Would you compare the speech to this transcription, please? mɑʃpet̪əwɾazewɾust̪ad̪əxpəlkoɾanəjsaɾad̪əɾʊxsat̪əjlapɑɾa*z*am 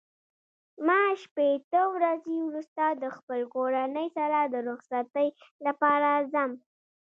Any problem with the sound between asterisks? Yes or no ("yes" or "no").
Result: no